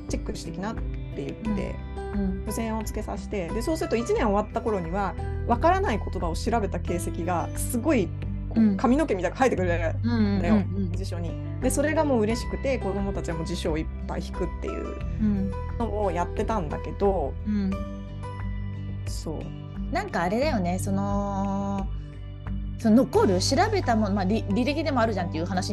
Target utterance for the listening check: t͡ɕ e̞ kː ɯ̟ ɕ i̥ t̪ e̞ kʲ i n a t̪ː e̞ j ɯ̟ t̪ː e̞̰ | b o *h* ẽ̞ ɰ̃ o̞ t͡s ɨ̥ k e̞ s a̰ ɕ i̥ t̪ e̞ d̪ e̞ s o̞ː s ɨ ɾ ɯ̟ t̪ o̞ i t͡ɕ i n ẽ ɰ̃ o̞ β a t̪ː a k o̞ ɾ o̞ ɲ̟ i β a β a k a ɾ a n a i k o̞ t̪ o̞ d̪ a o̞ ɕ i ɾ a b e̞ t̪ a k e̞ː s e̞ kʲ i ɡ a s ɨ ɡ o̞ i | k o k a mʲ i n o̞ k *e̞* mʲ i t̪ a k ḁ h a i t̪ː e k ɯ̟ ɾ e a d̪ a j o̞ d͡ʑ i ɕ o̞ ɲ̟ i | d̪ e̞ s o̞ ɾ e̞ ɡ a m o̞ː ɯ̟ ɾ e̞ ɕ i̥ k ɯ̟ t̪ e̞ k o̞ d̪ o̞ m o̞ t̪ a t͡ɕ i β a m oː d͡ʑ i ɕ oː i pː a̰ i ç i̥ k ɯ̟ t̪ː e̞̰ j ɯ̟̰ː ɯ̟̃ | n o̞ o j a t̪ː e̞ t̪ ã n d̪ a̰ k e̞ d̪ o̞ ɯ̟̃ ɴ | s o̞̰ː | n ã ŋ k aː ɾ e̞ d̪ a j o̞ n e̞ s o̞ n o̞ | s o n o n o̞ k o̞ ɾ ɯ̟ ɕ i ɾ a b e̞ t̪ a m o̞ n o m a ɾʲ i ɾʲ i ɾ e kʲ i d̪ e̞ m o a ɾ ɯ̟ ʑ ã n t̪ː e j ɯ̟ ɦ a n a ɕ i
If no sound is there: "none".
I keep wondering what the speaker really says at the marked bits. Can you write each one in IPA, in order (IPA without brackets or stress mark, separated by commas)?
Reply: s, e̞